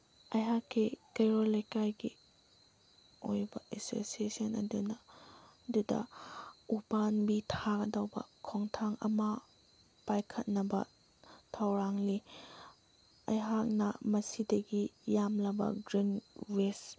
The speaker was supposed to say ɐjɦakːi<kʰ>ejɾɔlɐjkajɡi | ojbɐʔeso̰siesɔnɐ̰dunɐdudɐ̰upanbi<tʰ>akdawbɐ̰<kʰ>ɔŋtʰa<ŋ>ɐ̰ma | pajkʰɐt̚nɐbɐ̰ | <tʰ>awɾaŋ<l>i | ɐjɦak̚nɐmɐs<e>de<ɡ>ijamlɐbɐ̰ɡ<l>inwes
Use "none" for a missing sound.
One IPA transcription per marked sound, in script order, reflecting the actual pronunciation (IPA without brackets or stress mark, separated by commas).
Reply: k, tʰ, kʰ, ŋ, tʰ, l, i, ɡ, ɾ